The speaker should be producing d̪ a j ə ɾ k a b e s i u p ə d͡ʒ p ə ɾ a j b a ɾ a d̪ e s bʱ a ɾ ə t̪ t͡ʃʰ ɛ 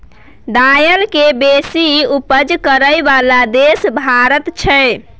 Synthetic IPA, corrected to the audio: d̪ a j ə l k e b e s i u p ə d͡ʒ k ə ɾ ə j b a l a d̪ e s bʱ a ɾ ə t̪ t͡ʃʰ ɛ